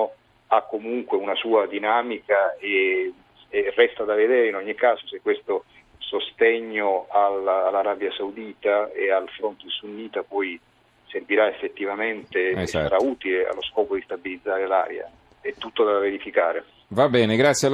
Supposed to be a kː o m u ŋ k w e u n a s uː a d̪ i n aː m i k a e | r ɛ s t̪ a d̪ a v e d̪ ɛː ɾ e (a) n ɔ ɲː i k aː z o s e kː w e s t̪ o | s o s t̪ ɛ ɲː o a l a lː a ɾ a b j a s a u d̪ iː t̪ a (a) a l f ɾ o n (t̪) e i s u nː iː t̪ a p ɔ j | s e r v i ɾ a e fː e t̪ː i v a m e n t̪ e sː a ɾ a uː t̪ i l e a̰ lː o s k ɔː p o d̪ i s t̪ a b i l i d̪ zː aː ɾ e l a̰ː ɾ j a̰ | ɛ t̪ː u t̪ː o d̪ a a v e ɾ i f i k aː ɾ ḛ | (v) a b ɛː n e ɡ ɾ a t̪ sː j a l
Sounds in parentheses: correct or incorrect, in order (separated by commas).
incorrect, incorrect, correct, correct